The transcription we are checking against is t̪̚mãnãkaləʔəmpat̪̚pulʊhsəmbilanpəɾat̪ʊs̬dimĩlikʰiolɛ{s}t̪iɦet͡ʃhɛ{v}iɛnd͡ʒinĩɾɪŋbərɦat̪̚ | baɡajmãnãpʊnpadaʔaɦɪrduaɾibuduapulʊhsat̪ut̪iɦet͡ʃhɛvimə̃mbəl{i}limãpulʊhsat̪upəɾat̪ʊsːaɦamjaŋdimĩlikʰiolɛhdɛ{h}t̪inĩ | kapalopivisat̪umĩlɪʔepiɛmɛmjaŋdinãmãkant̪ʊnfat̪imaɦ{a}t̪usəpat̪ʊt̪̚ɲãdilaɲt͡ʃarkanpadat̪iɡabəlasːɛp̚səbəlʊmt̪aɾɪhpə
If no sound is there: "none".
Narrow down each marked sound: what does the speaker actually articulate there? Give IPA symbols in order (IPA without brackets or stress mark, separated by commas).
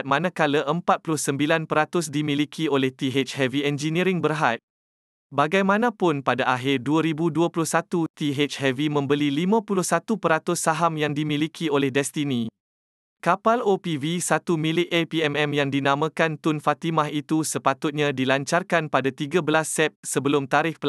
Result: h, v, i, s, i